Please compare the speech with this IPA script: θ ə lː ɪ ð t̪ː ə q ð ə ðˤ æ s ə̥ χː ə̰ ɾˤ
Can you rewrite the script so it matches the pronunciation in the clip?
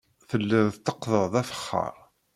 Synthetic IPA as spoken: θ ə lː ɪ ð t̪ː ə q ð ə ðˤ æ f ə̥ χː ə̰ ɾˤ